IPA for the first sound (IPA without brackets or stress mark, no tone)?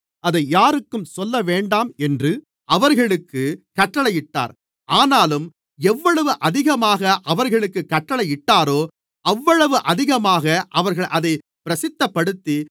ɐ